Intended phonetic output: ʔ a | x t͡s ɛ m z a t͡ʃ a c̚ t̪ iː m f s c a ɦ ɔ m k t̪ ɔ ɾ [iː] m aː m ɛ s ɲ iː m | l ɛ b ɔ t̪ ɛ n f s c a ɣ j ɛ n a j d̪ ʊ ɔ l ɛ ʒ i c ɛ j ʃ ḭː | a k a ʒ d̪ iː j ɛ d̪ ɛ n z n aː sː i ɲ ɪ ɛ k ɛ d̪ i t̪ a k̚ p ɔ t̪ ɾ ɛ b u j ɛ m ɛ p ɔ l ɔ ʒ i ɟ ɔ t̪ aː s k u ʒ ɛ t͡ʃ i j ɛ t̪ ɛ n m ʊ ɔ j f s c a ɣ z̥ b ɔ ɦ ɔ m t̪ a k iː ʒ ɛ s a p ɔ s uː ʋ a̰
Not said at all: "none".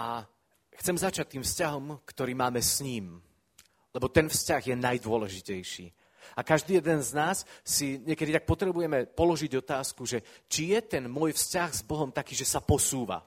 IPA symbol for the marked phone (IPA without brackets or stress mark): iː